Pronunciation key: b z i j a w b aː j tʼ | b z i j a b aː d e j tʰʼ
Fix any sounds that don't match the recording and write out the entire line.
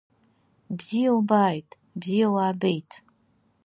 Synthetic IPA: b z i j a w b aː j tʼ | b z i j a w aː b e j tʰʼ

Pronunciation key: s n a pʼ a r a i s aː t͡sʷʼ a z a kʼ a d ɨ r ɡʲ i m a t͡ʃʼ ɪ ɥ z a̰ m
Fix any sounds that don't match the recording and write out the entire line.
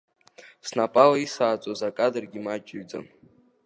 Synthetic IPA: s n a pʼ a l a i s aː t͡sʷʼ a z a kʼ a d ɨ r ɡʲ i m a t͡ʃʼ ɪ ɥ d͡z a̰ m

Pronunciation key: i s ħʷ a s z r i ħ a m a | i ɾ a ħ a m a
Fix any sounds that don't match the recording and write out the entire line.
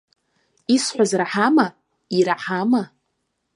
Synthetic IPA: i s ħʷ a z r a ħ a m a | i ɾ a ħ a m a

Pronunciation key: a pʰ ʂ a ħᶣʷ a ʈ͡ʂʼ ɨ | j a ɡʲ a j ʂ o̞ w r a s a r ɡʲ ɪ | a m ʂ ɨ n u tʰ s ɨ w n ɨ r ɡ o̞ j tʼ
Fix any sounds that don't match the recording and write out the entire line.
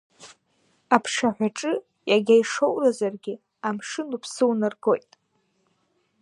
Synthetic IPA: a pʰ ʂ a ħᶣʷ a ʈ͡ʂʼ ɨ | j a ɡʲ a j ʂ o̞ w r a z a r ɡʲ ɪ | a m ʂ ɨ n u pʰ s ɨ w n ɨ r ɡ o̞ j tʼ

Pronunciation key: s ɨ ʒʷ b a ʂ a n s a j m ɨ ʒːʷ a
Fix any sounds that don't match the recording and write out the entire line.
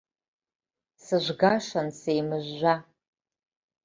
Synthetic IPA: s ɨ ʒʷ ɡ a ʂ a n s e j m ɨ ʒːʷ a

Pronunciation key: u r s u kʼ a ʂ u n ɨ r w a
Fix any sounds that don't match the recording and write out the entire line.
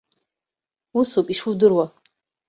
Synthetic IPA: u s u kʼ i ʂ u d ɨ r w a

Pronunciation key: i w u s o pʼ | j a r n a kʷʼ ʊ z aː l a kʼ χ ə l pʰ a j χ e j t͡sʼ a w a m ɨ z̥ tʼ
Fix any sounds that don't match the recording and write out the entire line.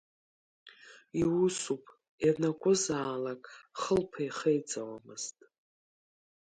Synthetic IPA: i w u s u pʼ | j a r n a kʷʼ ʊ z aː l a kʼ χ ə l pʰ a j χ e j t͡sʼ a w a m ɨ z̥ tʼ

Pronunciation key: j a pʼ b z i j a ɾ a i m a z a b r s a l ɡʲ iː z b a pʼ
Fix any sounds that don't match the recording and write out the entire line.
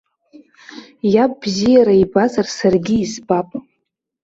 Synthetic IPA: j a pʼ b z i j a ɾ a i b a z a r s a r ɡʲ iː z b a pʼ

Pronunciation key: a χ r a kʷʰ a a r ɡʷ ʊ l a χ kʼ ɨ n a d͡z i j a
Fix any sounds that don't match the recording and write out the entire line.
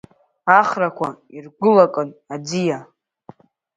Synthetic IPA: a χ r a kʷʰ a i r ɡʷ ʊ l a kʼ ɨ n a d͡z i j a

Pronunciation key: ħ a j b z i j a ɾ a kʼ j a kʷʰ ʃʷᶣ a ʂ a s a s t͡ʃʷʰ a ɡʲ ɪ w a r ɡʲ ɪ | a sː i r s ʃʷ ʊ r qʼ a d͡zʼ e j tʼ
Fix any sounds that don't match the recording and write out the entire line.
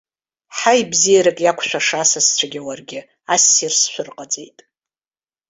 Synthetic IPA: ħ a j b z i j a ɾ a kʼ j a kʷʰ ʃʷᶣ a ʂ a s a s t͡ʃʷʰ a ɡʲ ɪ w a r ɡʲ ɪ | a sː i r s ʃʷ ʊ r qʼ a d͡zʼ e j tʼ

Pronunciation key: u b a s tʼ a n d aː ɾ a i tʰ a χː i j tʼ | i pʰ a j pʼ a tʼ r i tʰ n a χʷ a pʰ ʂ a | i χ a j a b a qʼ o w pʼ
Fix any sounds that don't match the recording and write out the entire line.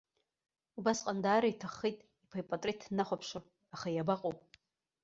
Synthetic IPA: u b a s qʼ a n d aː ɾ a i tʰ a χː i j tʼ | i pʰ a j pʼ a tʼ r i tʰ n a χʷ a pʰ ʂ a | a χ a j a b a qʼ o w pʼ

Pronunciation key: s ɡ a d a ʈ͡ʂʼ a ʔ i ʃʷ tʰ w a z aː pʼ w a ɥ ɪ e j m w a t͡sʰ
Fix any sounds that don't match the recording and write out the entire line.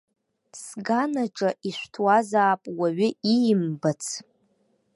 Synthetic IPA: s ɡ a n a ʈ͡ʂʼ a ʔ i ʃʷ tʰ w a z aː pʼ w a ɥ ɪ i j m b a t͡sʰ

